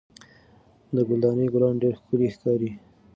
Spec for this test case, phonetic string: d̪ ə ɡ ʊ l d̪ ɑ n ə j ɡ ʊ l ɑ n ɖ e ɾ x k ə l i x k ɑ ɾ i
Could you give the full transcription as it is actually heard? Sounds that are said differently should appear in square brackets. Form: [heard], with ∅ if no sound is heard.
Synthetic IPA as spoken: d̪ ə ɡ ʊ l d̪ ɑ n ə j ɡ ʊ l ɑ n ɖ e ɾ x k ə l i x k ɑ ɾ i

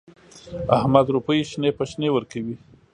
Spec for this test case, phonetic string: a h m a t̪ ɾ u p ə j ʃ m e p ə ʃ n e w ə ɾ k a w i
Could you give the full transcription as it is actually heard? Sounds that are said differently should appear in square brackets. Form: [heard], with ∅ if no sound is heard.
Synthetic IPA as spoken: a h m a [d̪] ɾ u p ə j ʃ [n] e p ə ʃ n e w ə ɾ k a w i

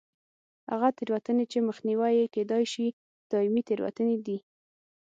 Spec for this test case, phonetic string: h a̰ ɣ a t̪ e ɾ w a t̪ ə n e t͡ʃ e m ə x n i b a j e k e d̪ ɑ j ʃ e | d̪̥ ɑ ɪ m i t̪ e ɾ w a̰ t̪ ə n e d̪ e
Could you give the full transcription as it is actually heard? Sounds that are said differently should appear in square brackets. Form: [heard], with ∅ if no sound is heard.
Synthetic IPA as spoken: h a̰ ɣ a t̪ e ɾ w a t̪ ə n e t͡ʃ e m ə x n i [w] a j e k e d̪ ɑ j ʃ [i] | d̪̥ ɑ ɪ m i t̪ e ɾ w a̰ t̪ ə n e d̪ [i]

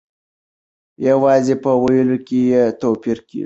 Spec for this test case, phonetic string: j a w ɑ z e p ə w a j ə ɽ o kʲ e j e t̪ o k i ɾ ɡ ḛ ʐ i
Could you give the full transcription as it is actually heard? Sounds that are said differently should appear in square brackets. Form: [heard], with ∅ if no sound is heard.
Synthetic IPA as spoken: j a w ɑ z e p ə w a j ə [l] o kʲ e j e t̪ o [p] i ɾ [k] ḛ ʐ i

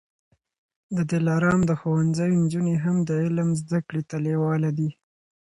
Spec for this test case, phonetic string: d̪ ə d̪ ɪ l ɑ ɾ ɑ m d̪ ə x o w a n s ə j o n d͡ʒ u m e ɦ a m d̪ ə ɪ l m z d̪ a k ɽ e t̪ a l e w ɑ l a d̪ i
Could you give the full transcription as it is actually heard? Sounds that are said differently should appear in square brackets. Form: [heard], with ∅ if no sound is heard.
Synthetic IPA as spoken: d̪ ə d̪ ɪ l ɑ ɾ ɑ m d̪ ə x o w a n [z] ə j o n d͡ʒ u [n] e ɦ a m d̪ ə ɪ l m z d̪ a k ɽ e t̪ a l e w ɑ l a d̪ i

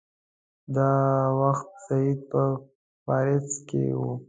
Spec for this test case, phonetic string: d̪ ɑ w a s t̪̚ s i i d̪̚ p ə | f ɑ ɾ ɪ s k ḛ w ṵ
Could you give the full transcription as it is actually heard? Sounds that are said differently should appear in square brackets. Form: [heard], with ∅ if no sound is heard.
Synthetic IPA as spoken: d̪ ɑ w a [x] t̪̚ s [a] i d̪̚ p ə | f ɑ ɾ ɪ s k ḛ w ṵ

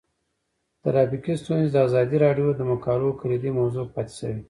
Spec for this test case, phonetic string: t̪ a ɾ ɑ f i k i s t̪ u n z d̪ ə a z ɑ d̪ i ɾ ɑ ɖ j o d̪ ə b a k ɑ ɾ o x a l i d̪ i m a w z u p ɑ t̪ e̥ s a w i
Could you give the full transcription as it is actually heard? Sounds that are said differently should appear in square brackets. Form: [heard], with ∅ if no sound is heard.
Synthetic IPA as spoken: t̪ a ɾ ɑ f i k i s t̪ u n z d̪ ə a z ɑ d̪ i ɾ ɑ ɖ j o d̪ ə [m] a k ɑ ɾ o [k] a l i d̪ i m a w z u p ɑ t̪ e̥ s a w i

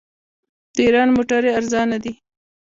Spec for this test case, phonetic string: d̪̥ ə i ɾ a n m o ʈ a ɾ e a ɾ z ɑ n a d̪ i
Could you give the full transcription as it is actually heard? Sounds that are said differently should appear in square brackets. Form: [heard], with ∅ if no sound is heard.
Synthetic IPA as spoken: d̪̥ ə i ɾ [ɑ] n m o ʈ a ɾ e a ɾ z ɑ n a d̪ i

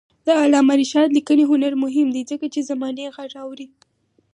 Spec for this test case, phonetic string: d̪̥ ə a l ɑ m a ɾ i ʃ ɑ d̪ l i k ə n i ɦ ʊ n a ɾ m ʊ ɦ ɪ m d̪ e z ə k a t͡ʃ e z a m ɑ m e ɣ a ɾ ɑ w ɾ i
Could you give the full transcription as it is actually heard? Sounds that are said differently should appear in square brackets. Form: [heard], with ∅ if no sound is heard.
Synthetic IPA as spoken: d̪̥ ə a l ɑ m a ɾ i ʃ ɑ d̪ l i k ə n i ɦ ʊ n a ɾ m ʊ ɦ ɪ m d̪ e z ə k a t͡ʃ e z a m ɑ [n] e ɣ a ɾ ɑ w ɾ i

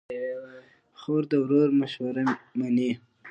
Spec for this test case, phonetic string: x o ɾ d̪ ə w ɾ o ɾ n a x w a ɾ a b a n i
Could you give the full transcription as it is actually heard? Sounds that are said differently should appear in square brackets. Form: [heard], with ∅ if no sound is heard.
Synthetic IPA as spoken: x o ɾ d̪ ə w ɾ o ɾ [m] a [ʃ] w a ɾ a [m] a n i

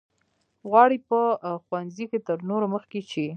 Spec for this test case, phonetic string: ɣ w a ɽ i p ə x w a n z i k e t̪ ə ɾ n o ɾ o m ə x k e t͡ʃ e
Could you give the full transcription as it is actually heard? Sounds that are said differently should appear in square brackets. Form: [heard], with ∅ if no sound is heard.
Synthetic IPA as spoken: ɣ w [ɑ] ɽ i p ə x w a n z i k e t̪ ə ɾ n o ɾ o m ə x k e t͡ʃ e

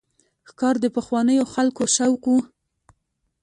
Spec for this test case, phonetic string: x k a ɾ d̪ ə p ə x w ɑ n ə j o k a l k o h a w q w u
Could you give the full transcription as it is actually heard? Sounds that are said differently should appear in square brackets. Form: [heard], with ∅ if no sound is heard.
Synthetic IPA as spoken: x k [ɑ] ɾ d̪ ə p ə x w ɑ n ə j o [x] a l k o [ʃ] a w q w u

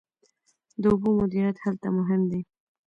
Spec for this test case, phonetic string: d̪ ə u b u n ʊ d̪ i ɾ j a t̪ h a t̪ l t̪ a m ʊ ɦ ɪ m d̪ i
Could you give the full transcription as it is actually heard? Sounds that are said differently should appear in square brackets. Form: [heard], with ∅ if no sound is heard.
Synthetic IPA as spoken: d̪ ə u b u [m] ʊ d̪ i ɾ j a t̪ h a [∅] l t̪ a m ʊ ɦ ɪ m d̪ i

